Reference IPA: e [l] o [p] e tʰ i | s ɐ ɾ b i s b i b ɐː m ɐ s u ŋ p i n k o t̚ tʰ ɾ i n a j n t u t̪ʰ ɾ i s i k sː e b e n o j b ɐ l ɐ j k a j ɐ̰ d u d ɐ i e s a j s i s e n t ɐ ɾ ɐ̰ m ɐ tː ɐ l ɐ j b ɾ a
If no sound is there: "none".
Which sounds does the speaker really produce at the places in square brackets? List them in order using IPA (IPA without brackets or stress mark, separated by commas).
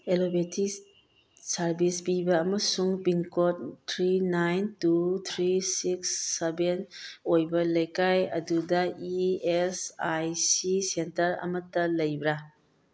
l, b